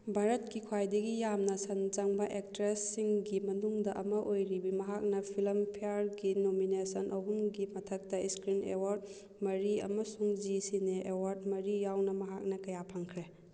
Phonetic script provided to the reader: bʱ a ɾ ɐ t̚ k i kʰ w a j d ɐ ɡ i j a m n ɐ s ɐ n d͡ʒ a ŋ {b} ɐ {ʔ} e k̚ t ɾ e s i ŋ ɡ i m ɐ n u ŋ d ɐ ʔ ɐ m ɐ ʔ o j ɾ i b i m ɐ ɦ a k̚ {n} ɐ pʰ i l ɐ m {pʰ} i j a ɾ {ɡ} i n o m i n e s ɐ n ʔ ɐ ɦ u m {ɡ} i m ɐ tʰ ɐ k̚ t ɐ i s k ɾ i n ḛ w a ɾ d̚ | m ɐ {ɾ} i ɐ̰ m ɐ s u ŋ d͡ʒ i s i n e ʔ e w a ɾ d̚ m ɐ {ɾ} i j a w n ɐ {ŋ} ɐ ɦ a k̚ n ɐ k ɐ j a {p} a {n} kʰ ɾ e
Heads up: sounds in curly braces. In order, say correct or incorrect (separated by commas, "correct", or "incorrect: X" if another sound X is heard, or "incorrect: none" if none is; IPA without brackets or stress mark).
correct, correct, correct, correct, correct, correct, correct, correct, incorrect: m, incorrect: pʰ, incorrect: ŋ